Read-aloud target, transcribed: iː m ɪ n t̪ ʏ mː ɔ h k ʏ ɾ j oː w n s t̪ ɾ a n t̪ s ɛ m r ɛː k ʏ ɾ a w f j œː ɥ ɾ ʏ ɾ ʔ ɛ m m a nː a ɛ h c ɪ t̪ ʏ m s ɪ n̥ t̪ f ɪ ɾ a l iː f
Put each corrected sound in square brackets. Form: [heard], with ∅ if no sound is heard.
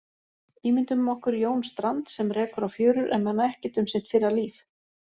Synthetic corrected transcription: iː m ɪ n t̪ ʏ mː ɔ h k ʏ ɾ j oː w n s t̪ ɾ a n t̪ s ɛ m r ɛː k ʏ ɾ a w f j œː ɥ ɾ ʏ ɾ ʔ ɛ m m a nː a ɛ h c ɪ t̪ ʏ m s ɪ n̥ t̪ f ɪ ɾ a l iː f